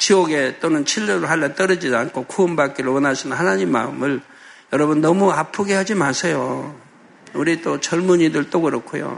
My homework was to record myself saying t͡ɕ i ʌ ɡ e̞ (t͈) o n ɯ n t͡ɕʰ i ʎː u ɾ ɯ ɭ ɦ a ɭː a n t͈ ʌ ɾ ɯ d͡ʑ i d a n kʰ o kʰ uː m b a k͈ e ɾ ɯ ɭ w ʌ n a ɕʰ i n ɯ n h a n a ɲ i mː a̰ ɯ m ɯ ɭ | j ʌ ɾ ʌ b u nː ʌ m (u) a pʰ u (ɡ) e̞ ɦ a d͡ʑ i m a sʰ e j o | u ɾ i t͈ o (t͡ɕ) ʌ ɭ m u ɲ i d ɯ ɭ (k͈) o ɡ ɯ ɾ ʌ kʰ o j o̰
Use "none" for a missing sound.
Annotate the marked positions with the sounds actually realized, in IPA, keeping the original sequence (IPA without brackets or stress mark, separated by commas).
t͈, u, ɡ, t͡ɕ, t͈